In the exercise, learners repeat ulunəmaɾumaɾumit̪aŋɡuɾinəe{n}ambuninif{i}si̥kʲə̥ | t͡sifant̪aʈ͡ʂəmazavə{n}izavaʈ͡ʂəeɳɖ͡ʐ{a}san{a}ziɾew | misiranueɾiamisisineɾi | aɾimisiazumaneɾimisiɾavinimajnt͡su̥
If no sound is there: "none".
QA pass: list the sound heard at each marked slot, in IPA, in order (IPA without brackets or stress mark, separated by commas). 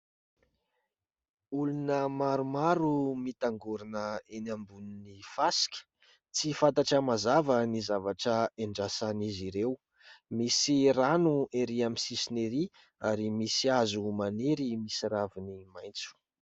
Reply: n, a, n, a, i